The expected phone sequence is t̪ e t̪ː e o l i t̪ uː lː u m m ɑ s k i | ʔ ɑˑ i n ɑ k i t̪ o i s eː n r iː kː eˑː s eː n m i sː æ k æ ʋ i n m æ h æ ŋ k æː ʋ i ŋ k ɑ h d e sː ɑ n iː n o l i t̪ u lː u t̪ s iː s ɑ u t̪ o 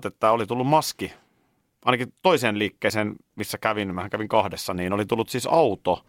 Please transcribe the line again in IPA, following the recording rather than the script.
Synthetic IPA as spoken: t̪ e t̪ː æ o l i t̪ u lː u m m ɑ s k i | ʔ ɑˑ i n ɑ k i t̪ o i s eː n l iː kː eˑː s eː n m i sː æ k æ ʋ i n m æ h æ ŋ k æ ʋ i ŋ k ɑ h d e sː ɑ n iː n o l i t̪ u lː u t̪ s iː s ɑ u t̪ o